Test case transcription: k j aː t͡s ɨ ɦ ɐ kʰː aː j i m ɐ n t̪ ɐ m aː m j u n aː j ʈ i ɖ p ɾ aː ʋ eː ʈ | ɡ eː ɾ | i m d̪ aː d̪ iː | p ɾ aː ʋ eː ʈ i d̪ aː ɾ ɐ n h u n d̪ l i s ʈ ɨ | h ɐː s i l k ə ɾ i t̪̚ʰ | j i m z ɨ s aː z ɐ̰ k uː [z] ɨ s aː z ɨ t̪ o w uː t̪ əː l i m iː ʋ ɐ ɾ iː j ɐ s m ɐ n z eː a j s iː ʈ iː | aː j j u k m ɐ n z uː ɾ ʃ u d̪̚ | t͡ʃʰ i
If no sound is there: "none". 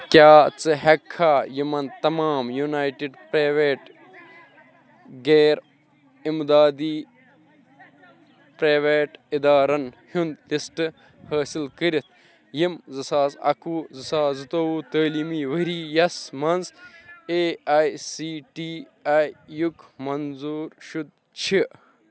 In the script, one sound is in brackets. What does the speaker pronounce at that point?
z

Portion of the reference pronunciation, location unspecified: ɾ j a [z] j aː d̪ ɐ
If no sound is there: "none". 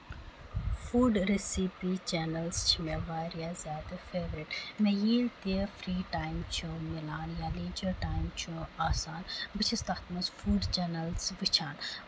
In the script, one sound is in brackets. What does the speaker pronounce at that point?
z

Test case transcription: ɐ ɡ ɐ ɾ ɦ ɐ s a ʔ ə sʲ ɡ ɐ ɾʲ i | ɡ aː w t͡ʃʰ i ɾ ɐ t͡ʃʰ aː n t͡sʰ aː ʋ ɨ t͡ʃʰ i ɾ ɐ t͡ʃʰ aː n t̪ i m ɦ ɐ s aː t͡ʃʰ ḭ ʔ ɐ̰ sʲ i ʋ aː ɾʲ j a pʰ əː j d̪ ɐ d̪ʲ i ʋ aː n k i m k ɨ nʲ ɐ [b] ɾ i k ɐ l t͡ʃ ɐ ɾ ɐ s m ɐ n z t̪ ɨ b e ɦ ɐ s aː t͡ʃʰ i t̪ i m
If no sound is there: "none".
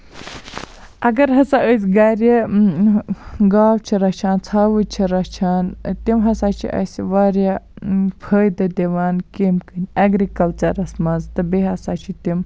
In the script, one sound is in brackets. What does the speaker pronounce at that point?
ɡ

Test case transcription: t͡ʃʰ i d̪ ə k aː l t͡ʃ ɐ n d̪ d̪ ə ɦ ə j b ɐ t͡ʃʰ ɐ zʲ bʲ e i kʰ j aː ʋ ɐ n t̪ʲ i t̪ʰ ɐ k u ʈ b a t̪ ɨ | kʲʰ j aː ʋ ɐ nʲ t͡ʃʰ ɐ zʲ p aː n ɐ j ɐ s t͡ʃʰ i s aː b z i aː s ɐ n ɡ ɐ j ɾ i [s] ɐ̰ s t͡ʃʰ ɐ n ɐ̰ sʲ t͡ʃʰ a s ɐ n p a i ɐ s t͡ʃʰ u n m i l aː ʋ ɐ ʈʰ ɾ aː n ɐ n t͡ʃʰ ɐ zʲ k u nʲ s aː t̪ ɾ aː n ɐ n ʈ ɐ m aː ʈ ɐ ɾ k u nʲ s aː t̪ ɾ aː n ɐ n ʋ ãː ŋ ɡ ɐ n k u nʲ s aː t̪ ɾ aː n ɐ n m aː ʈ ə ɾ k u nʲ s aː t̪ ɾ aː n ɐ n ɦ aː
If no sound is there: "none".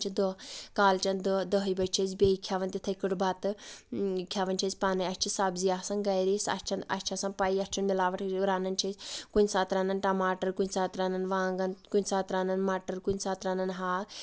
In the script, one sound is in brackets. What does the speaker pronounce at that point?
s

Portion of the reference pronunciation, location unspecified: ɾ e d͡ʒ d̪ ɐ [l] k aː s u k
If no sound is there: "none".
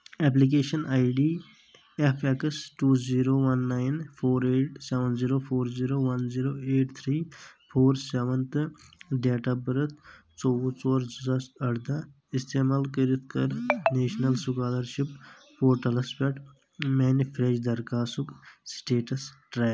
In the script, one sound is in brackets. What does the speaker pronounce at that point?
ɾ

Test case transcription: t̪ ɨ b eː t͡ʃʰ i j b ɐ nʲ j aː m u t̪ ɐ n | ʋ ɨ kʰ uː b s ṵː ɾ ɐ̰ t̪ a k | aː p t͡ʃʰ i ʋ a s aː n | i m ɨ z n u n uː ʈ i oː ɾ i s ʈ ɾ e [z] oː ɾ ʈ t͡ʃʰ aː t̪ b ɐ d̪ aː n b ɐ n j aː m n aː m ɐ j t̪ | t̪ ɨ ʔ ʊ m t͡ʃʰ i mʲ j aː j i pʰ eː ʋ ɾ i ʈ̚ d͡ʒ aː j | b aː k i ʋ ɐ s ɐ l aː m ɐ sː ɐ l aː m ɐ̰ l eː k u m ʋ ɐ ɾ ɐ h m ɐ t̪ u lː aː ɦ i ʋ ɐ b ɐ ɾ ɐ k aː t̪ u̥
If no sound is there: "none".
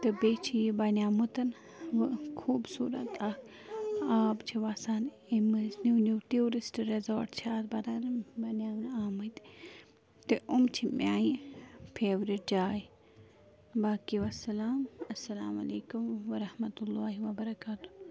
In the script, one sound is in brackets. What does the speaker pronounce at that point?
z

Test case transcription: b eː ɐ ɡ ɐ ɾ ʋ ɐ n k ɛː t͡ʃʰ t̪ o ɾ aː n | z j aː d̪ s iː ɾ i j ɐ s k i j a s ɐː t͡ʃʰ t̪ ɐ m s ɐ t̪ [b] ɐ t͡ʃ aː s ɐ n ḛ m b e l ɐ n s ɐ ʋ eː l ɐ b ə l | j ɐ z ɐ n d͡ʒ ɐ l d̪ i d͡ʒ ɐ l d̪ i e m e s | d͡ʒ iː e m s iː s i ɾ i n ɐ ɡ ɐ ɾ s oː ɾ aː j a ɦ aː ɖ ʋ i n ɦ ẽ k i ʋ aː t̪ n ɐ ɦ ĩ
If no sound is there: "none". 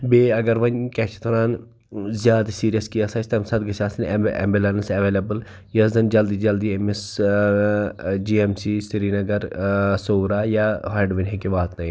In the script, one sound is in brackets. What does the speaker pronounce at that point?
ɡ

